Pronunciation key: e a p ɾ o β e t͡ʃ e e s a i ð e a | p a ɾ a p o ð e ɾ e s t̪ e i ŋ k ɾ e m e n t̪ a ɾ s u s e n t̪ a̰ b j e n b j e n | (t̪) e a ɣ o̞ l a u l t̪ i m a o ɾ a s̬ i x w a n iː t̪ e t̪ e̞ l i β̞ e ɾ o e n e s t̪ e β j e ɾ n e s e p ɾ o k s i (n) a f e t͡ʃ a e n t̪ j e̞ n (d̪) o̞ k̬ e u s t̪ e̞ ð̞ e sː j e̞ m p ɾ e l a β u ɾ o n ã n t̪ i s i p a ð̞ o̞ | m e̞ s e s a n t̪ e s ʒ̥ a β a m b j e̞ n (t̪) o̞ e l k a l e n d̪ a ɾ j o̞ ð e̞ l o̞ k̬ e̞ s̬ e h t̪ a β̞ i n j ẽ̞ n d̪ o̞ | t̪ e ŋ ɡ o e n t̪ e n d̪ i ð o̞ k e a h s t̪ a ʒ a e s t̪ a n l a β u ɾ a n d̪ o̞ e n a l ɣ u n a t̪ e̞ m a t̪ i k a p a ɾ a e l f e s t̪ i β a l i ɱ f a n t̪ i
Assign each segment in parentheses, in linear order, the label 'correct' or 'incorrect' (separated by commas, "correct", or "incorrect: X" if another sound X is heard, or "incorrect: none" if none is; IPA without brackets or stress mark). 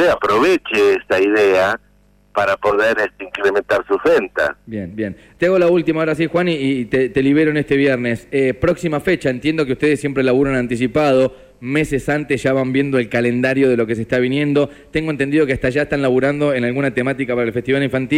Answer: correct, incorrect: m, correct, incorrect: d̪